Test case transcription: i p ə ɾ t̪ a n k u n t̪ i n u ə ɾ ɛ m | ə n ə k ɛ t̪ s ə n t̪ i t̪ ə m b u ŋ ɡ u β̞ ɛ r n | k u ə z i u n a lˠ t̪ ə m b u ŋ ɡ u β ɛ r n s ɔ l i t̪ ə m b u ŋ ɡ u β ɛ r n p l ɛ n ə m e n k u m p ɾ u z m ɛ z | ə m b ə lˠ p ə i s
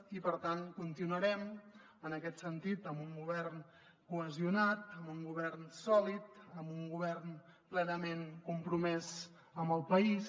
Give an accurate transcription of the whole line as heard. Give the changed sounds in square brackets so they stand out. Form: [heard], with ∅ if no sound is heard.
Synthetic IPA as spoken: i p ə ɾ t̪ a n k u n t̪ i n u ə ɾ ɛ m | ə n ə k ɛ t̪ s ə n t̪ i t̪ ə m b u ŋ ɡ u β̞ ɛ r n | k u ə z i u n a [∅] t̪ ə m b u ŋ ɡ u β ɛ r n s ɔ l i t̪ ə m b u ŋ ɡ u β ɛ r n p l ɛ n ə m e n k u m p ɾ u [∅] m ɛ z | ə m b ə lˠ p ə i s

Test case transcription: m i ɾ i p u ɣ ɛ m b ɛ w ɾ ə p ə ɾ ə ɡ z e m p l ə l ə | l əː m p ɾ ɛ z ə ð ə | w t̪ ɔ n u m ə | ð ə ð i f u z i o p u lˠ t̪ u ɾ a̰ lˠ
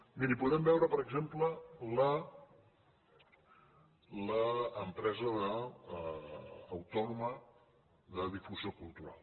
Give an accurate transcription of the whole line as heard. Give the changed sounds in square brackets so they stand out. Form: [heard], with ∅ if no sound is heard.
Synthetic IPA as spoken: m i ɾ i p u [ð] ɛ m b ɛ w ɾ ə p ə ɾ ə ɡ z e m p l ə l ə | l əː m p ɾ ɛ z ə ð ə | w t̪ ɔ n u m ə | ð ə ð i f u z i o [k] u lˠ t̪ u ɾ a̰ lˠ

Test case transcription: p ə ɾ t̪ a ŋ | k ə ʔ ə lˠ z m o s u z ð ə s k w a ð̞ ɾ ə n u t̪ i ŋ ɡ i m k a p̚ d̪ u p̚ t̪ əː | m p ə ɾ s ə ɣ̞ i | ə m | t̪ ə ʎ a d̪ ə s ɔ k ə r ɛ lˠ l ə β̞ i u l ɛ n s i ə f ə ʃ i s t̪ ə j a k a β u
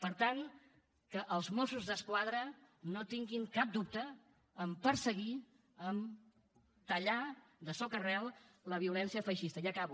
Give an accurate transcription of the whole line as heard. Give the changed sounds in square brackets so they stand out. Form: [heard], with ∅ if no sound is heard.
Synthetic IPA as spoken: p ə ɾ t̪ a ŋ | k ə ʔ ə lˠ z m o s u z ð ə s k w a ð̞ ɾ ə n [o] t̪ i ŋ ɡ i [ŋ] k a p̚ d̪ u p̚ t̪ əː | m p ə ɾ s ə ɣ̞ i | ə m | t̪ ə ʎ a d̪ ə s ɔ k ə r ɛ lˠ l ə β̞ i u l ɛ n s i ə f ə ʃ i s t̪ ə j a k a β u

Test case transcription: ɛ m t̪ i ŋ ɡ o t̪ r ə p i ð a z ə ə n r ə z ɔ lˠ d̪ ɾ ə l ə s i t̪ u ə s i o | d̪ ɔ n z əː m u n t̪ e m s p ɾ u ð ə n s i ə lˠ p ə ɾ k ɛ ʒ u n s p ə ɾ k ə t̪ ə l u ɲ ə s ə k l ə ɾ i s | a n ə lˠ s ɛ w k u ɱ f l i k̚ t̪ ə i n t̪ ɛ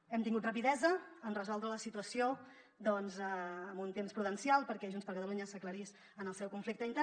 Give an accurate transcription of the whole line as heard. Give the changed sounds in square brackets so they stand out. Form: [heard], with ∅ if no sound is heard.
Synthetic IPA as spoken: ɛ m t̪ i ŋ ɡ [u] t̪ r ə p i ð [ɛ] z ə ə n r ə z ɔ lˠ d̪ ɾ ə l ə s i t̪ u ə s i o | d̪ ɔ n z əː m u n t̪ e m s p ɾ u ð ə n s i [a] lˠ p ə ɾ k ɛ ʒ u n s p ə ɾ k ə t̪ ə l u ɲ ə s ə k l ə ɾ i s | [ə] n ə lˠ s ɛ w k u ɱ f l i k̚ t̪ ə i n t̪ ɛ

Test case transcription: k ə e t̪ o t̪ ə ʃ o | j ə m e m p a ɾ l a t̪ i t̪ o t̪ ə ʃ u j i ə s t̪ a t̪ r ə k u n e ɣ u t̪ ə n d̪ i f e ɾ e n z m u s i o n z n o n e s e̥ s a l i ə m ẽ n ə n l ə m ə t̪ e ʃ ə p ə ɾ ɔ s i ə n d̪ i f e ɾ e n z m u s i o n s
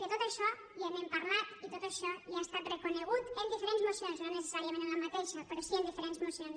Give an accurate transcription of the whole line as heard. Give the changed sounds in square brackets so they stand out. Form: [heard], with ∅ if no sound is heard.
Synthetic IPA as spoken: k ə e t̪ o t̪ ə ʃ [ɔ] | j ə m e m p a ɾ l a t̪ i t̪ o t̪ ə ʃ [ɔ] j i [a] s t̪ a t̪ r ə k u n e ɣ u t̪ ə n d̪ i f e ɾ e n z m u s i o n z n o n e s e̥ s a [ɾ] i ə m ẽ n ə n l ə m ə t̪ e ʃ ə p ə ɾ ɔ s i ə n d̪ i f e ɾ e n z m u s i o n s

